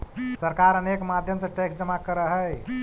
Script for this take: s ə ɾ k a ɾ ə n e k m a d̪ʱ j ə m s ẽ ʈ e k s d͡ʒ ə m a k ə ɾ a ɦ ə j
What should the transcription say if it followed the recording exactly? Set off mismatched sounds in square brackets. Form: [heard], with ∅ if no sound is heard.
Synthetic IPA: s ə ɾ k a ɾ ə n e k m a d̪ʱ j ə m s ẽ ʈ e k s d͡ʒ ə m a k ə ɾ [ə] ɦ ə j